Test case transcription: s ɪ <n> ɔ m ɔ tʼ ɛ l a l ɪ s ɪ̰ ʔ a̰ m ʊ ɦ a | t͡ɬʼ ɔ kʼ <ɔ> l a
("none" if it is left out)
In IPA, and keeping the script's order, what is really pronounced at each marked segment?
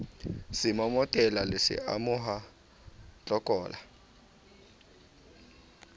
m, ɔː

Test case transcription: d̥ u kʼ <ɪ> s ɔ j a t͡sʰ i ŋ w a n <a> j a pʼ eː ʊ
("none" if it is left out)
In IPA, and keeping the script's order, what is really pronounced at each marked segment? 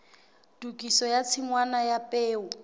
i, a

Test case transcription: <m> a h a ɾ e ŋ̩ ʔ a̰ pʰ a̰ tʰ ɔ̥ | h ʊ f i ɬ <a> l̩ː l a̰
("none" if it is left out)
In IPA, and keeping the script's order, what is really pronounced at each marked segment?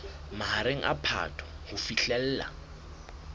m, ɛ

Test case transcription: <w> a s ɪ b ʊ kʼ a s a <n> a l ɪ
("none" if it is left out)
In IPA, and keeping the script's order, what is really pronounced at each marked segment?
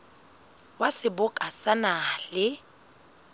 w, n

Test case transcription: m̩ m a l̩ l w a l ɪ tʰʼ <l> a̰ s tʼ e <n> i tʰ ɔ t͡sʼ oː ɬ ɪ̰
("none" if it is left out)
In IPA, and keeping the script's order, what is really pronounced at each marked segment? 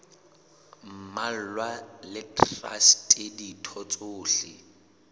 r, d

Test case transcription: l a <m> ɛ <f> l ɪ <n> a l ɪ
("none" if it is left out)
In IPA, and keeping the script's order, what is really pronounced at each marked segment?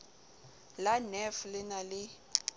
n, f, n

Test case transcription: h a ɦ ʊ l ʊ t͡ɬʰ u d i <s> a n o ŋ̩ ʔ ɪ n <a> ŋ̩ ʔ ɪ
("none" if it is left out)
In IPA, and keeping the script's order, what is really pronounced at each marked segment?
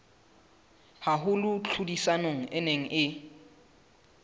s, e

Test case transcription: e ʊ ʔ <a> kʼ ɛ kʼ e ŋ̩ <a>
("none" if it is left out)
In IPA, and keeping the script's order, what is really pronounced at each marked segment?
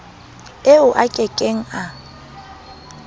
a, a

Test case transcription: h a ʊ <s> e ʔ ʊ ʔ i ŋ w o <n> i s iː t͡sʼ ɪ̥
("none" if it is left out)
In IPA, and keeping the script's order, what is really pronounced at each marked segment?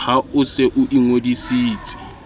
s, d

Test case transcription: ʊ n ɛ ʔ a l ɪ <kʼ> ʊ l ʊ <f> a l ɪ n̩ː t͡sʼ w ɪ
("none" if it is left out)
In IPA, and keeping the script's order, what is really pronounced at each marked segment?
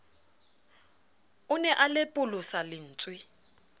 pʼ, s

